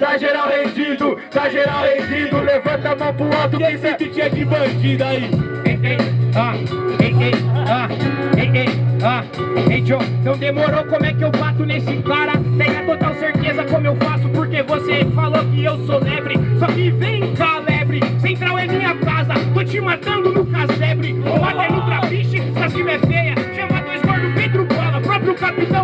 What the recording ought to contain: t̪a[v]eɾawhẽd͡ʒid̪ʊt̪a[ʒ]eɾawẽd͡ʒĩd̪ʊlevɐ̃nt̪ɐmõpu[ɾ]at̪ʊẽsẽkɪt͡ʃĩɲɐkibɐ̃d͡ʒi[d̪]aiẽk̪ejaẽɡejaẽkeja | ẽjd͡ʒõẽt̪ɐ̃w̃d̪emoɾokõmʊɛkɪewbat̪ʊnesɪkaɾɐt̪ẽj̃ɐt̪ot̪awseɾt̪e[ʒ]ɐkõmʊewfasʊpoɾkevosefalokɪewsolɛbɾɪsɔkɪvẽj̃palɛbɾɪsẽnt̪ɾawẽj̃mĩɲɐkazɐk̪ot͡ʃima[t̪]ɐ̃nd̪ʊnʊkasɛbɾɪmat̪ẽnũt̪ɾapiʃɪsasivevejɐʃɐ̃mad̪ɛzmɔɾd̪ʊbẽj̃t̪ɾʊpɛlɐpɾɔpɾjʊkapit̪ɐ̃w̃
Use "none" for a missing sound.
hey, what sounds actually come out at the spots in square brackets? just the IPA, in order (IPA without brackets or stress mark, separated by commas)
ʒ, ʒ, l, d̪, z, t̪